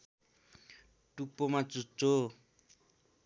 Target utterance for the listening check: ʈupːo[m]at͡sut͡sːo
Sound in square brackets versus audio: correct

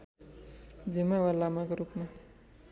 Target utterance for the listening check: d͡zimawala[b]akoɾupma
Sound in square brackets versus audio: incorrect: m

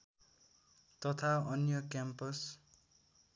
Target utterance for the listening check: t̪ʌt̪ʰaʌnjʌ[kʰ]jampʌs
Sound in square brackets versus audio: incorrect: k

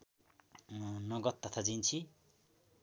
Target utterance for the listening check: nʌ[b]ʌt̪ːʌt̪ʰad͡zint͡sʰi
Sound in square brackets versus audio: incorrect: ɡ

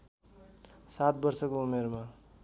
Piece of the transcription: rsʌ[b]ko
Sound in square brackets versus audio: incorrect: none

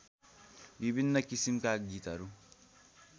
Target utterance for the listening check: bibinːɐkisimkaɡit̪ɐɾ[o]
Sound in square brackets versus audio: incorrect: u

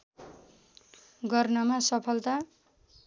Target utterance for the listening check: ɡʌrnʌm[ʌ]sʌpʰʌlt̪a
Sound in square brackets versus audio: incorrect: a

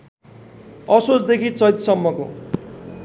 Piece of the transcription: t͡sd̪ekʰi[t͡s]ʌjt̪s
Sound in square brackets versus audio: correct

